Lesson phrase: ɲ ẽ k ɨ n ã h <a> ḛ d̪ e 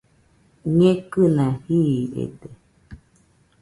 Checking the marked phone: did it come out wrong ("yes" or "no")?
yes